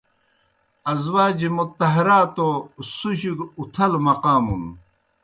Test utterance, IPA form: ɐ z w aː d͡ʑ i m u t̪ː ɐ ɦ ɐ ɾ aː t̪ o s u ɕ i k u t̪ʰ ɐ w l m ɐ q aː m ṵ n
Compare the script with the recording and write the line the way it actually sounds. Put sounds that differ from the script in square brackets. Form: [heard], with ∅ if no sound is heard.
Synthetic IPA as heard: ɐ z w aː d͡ʑ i m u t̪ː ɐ ɦ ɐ ɾ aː t̪ o s u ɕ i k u t̪ʰ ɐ [∅] l m ɐ q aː m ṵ n